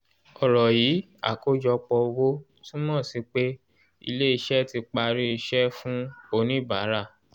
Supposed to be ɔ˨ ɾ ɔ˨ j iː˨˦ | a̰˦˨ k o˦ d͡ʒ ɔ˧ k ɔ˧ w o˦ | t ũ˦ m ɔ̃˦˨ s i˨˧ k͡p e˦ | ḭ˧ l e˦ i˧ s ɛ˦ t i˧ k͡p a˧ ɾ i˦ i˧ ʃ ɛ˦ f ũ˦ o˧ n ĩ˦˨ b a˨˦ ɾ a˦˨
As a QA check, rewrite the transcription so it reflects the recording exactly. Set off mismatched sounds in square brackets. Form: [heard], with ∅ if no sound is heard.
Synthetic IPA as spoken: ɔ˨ ɾ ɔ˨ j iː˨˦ | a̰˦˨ k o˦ d͡ʒ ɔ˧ [k͡p] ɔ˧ w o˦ | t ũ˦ m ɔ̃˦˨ s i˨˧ k͡p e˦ | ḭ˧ l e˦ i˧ [ʃ] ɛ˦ t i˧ k͡p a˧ ɾ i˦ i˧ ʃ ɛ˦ f ũ˦ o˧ n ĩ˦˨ b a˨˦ ɾ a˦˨